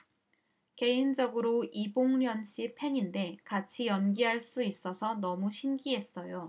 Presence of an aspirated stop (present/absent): present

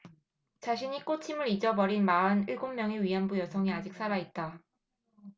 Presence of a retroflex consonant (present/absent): present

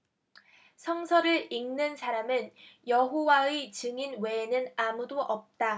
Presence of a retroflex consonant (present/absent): absent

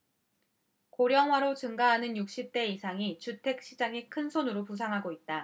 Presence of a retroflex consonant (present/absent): absent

